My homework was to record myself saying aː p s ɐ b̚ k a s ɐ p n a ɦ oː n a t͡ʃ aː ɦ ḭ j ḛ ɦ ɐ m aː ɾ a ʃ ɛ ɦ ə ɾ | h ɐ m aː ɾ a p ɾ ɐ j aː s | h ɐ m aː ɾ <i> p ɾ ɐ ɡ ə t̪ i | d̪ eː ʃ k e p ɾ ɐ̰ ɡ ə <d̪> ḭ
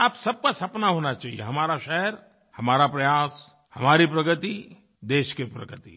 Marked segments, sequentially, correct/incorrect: correct, incorrect

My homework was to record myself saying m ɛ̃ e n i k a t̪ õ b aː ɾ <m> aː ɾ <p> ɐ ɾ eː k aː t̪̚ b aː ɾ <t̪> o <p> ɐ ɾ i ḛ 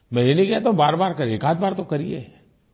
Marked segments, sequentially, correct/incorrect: incorrect, incorrect, correct, incorrect

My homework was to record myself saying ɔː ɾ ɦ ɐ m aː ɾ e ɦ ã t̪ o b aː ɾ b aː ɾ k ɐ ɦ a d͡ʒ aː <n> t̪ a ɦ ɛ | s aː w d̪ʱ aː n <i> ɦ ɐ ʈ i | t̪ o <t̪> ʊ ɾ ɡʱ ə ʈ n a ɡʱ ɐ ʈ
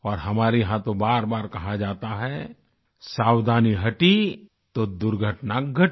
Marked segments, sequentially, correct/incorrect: incorrect, correct, incorrect

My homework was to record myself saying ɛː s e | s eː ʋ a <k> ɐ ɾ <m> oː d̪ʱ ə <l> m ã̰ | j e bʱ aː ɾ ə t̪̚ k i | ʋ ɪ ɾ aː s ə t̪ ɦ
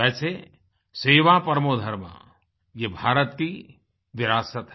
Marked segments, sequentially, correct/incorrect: incorrect, correct, incorrect

